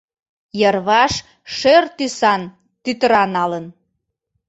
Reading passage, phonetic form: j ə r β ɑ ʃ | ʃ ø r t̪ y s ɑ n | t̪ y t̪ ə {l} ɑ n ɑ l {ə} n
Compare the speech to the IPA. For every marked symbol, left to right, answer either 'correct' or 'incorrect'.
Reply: incorrect: ɾ, correct

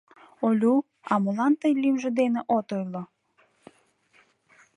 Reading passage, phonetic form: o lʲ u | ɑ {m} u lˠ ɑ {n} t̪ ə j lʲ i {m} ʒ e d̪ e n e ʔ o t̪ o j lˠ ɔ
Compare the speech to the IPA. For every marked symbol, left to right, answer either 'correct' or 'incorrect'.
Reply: correct, correct, correct

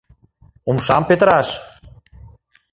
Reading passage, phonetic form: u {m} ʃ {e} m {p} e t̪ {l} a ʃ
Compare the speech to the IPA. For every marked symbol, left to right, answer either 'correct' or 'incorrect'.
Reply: correct, incorrect: a, correct, incorrect: ɾ

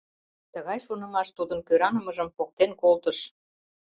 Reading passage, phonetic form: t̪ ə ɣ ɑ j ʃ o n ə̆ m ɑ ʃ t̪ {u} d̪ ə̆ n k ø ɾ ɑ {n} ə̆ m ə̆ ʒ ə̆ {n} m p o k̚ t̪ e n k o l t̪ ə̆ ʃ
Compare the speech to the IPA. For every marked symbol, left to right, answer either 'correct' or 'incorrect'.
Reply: correct, correct, incorrect: none

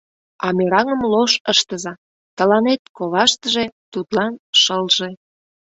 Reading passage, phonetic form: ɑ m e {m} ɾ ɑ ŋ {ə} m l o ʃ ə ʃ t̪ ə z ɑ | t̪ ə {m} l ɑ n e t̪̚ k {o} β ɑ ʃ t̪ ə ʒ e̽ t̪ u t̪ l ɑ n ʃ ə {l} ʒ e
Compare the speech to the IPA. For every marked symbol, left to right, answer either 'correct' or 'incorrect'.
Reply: incorrect: none, correct, incorrect: none, correct, correct

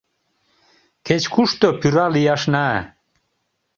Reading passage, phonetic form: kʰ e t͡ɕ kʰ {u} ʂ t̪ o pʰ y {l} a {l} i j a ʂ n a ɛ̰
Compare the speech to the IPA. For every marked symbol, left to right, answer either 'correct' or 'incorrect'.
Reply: correct, incorrect: ɾ, correct

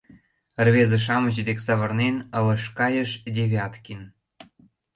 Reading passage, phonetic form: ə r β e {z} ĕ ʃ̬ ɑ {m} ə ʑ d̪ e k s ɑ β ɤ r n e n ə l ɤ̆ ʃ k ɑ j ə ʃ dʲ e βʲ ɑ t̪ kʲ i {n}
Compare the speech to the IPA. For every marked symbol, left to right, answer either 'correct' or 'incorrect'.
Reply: correct, correct, correct

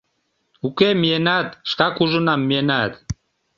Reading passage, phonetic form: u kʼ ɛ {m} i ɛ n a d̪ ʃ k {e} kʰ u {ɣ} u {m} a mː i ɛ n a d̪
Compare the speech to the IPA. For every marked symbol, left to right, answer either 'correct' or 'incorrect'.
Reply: correct, incorrect: a, incorrect: ʒ, incorrect: n

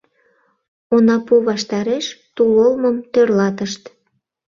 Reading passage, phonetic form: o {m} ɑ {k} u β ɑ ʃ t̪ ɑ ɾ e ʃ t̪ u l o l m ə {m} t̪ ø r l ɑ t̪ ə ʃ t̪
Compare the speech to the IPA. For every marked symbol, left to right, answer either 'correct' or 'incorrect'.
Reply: incorrect: n, incorrect: p, correct

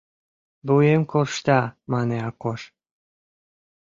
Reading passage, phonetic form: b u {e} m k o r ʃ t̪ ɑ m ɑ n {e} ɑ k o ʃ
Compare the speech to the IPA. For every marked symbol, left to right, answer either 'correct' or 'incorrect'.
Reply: correct, correct

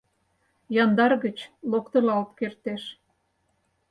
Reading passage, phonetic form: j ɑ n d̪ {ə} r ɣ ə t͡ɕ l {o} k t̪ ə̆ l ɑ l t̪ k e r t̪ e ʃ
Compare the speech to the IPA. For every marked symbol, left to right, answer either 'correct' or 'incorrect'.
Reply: incorrect: ɑ, correct

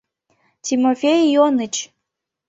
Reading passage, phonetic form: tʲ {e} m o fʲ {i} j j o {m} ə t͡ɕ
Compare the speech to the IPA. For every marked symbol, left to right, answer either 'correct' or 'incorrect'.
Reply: incorrect: i, incorrect: e, incorrect: n

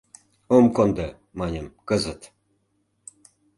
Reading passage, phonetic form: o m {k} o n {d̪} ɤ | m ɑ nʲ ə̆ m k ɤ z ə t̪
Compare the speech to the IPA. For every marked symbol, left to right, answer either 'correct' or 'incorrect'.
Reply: correct, correct

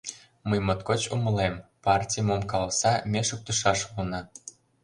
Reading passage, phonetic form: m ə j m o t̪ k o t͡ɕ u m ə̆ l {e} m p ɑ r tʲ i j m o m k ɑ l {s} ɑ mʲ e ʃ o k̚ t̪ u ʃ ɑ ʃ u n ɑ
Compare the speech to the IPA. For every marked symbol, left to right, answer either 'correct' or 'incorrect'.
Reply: correct, correct

